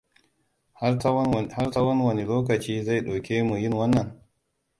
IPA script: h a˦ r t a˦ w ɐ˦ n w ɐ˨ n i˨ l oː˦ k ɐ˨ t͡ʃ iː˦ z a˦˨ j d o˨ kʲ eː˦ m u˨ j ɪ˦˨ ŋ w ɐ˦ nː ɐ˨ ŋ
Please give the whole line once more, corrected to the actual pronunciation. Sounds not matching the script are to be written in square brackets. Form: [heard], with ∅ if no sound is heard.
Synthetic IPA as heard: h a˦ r t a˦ w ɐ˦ n w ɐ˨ n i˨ l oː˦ k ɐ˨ t͡ʃ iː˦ z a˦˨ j [ɗ] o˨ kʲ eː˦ m u˨ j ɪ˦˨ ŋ w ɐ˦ nː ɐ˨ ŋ